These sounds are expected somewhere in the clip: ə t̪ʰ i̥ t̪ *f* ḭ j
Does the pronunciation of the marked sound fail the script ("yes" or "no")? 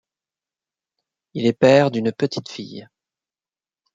no